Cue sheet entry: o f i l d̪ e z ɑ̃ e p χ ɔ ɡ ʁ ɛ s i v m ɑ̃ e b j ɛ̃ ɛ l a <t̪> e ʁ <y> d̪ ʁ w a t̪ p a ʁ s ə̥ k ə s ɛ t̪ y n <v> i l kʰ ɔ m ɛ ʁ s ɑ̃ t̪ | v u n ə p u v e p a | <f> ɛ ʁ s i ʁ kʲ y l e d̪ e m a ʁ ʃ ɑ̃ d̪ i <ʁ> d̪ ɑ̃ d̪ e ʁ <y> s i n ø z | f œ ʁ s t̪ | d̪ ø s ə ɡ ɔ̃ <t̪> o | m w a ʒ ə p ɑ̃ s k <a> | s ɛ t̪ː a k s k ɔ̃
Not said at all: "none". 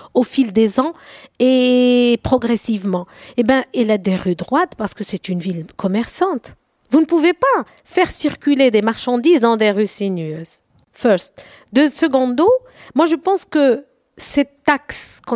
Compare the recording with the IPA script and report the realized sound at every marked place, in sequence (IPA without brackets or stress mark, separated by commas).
d̪, y, v, f, z, y, d̪, ə